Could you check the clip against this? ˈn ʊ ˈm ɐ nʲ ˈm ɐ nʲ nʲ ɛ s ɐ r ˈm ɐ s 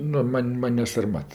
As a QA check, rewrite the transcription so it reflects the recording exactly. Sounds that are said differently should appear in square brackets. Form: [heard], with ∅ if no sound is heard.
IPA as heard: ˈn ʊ ˈm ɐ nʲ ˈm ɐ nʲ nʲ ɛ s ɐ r ˈm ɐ [t]